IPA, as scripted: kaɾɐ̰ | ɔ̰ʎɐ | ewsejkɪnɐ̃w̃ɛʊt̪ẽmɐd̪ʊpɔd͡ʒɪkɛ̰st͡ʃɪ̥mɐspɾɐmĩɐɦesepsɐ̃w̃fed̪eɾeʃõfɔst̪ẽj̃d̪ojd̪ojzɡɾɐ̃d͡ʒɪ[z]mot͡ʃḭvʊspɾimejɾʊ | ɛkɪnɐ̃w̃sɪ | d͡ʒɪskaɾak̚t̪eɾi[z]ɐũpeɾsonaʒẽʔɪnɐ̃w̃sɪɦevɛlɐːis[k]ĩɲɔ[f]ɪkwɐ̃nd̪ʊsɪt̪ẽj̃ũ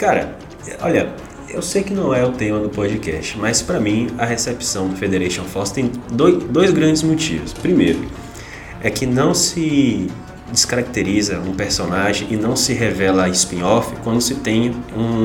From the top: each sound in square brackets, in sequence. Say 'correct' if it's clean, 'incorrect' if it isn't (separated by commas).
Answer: correct, correct, incorrect, correct